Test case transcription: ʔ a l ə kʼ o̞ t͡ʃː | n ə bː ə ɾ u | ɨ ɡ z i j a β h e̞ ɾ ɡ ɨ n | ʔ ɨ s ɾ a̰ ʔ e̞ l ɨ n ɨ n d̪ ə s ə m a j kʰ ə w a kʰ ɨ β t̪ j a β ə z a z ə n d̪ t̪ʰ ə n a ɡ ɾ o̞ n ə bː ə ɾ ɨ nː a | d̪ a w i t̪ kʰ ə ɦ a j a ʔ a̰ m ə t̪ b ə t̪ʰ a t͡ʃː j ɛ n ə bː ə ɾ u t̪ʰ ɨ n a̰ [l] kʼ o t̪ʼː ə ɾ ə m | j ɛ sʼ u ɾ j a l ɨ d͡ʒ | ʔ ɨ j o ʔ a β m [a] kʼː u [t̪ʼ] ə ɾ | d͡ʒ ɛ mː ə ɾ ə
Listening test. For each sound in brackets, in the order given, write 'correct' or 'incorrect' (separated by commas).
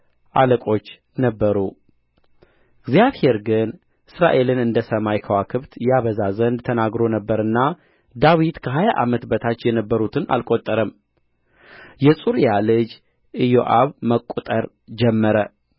correct, incorrect, correct